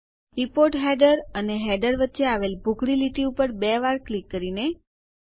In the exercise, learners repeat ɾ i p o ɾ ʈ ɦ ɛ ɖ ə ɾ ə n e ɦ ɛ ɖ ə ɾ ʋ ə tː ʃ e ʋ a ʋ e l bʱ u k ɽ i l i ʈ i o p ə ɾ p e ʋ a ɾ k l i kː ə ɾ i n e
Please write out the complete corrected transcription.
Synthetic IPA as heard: ɾ i p o ɾ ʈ ɦ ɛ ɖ ə ɾ ə n e ɦ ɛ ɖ ə ɾ ʋ ə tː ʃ e a ʋ e l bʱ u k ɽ i l i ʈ i u p ə ɾ b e ʋ a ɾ k l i kː ə ɾ i n e